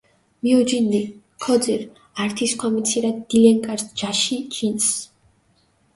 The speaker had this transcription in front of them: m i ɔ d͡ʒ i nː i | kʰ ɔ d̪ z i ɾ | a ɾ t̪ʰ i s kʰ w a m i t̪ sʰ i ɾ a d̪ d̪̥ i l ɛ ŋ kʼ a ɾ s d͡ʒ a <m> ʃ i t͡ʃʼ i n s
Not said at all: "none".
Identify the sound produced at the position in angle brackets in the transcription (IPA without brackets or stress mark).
none